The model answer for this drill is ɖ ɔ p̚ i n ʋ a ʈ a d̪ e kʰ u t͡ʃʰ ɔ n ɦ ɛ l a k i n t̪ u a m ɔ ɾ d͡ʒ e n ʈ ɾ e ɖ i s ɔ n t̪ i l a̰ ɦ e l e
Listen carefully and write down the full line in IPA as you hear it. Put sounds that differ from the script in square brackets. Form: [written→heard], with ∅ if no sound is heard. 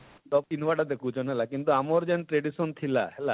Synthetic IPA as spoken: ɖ ɔ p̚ i n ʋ a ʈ a d̪ e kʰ u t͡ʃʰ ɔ n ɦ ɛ l a k i n t̪ u a m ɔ ɾ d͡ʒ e n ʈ ɾ e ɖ i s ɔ n [t̪→t̪ʰ] i l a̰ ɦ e l [e→a]